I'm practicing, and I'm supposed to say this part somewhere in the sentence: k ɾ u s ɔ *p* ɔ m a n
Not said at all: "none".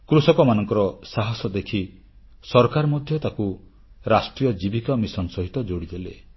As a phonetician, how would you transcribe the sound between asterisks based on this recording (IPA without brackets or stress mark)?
k